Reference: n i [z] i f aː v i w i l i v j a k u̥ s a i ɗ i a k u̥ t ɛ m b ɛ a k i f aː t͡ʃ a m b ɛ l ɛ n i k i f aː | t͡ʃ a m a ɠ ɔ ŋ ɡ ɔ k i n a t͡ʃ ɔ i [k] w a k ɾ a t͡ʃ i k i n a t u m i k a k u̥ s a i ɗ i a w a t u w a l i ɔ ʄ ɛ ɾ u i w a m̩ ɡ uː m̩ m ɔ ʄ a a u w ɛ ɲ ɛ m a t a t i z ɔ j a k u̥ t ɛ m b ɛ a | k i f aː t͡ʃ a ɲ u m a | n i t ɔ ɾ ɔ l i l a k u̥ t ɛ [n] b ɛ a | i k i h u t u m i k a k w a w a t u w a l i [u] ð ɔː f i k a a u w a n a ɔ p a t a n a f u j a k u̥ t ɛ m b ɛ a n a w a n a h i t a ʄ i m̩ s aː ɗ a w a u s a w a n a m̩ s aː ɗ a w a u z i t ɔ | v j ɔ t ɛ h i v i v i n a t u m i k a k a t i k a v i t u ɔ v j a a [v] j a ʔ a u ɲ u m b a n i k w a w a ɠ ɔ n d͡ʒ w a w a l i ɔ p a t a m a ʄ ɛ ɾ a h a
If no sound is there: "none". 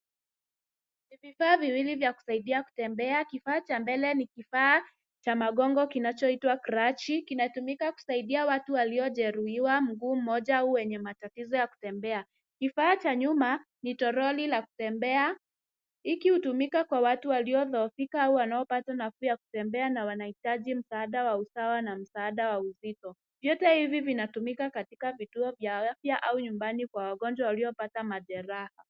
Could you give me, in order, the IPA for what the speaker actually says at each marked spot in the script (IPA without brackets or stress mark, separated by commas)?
v, t, m, ɔ, f